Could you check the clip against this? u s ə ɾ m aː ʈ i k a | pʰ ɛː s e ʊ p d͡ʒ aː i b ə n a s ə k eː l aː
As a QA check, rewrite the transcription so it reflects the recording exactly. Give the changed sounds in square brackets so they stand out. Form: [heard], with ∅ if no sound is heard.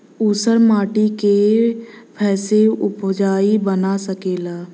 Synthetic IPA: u s ə ɾ m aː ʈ i k [e] | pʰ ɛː s e ʊ p d͡ʒ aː i b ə n a s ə k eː l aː